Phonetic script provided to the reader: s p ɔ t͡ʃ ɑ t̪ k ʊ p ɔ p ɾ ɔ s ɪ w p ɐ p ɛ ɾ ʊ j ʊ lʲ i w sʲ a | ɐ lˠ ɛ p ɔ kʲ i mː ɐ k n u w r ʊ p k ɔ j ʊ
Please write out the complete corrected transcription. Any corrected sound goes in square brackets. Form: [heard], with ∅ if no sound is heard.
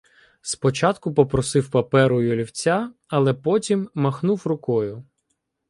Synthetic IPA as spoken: s p ɔ t͡ʃ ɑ t̪ k ʊ p ɔ p ɾ ɔ s ɪ w p ɐ p ɛ ɾ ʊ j ʊ lʲ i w [t͡sʲ] a | ɐ lˠ ɛ p ɔ [tʲ] i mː ɐ [x] n u w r ʊ [∅] k ɔ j ʊ